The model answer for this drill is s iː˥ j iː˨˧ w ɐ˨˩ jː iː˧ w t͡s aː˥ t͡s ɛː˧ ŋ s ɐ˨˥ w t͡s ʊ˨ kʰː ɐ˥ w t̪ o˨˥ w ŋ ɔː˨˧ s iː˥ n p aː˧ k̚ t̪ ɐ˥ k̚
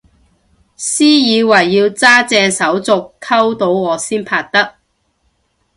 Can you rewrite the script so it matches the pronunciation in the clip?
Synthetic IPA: s iː˥ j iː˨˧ w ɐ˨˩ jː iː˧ w t͡s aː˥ t͡s ɛː˧ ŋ s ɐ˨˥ w t͡s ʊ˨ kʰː ɐ˥ w t̪ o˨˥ w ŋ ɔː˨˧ s iː˥ n pʰ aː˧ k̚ t̪ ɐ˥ k̚